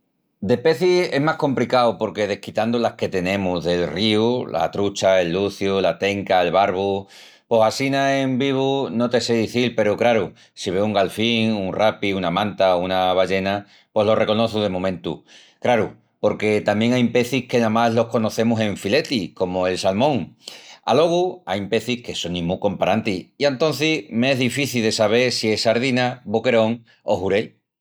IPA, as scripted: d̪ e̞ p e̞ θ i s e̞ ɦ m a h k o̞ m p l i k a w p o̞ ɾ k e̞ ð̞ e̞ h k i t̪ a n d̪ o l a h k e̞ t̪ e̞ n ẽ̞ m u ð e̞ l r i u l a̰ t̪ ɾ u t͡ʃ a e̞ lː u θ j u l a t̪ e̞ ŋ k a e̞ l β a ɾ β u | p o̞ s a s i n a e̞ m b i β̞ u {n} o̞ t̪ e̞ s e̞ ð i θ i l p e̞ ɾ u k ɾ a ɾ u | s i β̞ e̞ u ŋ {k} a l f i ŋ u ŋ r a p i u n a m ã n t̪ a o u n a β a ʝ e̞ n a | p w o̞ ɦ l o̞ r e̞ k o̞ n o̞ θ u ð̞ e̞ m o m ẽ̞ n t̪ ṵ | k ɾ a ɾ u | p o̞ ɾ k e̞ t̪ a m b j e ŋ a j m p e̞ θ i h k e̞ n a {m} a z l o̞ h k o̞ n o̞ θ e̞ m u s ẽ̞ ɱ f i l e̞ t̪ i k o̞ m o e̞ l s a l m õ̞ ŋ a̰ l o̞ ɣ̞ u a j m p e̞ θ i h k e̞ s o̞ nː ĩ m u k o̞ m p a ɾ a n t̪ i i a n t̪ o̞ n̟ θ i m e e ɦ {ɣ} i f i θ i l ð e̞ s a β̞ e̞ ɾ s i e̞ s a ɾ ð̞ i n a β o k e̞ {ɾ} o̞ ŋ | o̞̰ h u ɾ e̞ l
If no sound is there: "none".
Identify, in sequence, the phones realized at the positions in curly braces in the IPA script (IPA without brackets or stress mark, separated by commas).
n, ɡ, m, ð, ɾ